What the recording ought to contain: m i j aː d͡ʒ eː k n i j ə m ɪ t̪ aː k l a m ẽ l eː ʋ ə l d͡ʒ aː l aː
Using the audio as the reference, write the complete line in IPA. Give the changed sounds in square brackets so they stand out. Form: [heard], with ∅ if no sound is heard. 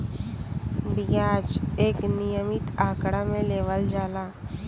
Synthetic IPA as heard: [b] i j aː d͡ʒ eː k n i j ə m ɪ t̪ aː k [ɽ] a m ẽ l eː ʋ ə l d͡ʒ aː l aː